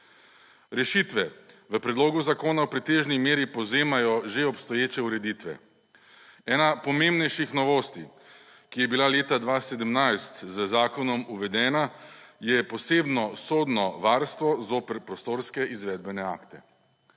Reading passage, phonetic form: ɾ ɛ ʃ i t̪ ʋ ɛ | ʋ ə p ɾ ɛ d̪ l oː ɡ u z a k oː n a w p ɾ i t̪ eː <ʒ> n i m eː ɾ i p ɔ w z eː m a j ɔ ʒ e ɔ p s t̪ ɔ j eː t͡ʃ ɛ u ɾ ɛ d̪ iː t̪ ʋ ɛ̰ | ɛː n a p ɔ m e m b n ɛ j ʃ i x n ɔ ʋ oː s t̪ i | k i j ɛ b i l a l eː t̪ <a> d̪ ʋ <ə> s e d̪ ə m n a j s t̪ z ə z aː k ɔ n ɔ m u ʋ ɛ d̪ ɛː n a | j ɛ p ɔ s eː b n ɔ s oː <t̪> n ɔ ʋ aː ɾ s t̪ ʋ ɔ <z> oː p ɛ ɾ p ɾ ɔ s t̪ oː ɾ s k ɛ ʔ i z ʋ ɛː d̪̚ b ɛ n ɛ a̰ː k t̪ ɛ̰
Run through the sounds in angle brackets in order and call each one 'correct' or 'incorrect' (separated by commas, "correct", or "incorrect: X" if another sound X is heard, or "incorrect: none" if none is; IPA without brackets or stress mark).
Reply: correct, correct, incorrect: a, incorrect: d̪, correct